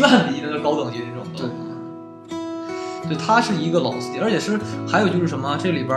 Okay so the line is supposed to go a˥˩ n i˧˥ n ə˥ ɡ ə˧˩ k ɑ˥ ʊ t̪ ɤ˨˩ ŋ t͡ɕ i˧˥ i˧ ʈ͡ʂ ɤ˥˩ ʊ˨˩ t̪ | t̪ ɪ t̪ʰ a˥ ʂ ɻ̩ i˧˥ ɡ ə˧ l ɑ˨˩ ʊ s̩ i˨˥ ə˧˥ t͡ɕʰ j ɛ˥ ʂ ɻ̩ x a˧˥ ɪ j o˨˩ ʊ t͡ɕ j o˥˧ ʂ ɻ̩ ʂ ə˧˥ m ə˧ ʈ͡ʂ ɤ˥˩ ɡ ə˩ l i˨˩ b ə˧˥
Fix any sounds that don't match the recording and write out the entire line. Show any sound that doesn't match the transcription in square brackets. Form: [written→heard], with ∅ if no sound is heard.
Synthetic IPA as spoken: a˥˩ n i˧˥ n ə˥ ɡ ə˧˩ k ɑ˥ ʊ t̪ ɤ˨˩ ŋ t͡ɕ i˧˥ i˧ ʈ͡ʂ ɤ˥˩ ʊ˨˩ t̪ | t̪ ɪ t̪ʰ a˥ ʂ ɻ̩ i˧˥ ɡ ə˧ l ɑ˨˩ ʊ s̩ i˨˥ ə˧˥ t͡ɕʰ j [ɛ˥→ɛ˨˩] ʂ ɻ̩ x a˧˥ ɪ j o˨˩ ʊ t͡ɕ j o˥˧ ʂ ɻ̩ ʂ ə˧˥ m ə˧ ʈ͡ʂ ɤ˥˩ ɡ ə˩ l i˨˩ b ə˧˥